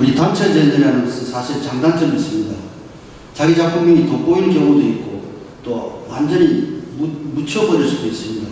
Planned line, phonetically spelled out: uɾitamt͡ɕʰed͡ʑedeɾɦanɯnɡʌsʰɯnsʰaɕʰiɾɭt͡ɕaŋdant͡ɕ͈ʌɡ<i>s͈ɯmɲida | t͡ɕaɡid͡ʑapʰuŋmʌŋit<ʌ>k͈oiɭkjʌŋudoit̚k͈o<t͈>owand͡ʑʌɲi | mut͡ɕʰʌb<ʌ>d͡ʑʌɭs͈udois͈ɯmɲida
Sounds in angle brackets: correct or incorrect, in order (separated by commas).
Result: correct, correct, correct, correct